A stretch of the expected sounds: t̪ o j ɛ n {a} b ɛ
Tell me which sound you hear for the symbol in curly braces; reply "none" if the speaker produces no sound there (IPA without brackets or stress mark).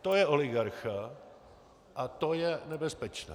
ɛ